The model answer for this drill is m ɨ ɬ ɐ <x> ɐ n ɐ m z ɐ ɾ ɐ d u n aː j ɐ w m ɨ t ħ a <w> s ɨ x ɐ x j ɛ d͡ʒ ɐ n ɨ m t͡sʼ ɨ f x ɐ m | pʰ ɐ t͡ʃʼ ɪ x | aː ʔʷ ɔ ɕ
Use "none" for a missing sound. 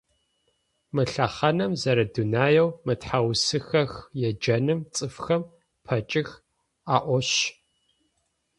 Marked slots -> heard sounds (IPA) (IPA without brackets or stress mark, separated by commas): χ, w